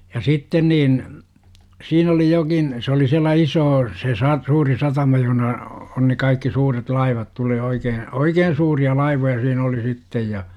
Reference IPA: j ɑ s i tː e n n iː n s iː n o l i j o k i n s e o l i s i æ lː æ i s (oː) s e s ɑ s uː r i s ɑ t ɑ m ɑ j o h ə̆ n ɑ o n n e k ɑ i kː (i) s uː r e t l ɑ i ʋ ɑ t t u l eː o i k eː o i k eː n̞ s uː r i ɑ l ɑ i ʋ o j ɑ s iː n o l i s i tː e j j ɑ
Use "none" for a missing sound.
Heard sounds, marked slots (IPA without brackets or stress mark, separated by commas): oː, i